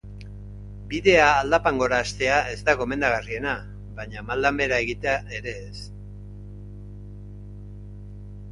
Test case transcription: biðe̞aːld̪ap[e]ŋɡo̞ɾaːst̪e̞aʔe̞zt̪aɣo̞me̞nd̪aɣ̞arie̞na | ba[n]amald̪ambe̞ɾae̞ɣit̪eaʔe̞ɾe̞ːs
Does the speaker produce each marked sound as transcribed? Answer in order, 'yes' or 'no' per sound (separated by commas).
no, no